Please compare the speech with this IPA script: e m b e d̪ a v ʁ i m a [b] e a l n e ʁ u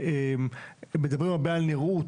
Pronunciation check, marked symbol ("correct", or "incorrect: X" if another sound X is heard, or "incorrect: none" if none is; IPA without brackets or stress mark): correct